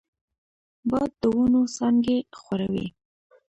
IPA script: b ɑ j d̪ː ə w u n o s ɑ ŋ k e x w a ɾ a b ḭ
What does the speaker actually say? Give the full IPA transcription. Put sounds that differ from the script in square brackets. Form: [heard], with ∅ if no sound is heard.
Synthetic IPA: b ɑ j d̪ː ə w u n o s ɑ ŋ [ɡ] e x w a ɾ a [w] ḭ